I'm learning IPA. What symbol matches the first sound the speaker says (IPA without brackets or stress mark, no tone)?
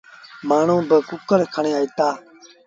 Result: m